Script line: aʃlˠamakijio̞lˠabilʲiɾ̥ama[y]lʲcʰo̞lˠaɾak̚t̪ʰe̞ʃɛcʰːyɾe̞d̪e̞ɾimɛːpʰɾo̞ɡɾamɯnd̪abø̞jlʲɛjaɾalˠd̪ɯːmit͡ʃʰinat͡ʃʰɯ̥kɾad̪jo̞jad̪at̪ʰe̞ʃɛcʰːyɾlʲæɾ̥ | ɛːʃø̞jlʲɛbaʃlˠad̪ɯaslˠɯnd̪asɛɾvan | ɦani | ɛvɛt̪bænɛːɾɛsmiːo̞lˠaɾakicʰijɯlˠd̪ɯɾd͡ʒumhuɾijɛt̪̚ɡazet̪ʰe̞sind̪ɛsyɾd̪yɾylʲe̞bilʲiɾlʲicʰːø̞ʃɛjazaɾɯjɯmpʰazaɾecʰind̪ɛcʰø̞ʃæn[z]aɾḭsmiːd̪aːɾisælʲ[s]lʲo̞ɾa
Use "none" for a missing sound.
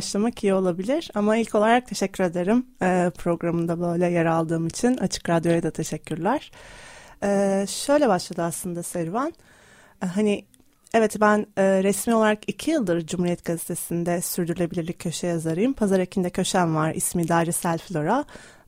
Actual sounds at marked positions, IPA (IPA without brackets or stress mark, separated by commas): i, v, f